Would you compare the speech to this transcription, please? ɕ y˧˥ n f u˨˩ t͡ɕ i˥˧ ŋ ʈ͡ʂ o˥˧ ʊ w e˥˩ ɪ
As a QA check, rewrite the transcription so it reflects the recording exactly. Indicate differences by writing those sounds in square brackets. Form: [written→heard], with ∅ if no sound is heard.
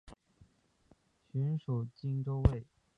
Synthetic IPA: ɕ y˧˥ n [f→ʂ] u˨˩ t͡ɕ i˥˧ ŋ ʈ͡ʂ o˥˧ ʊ w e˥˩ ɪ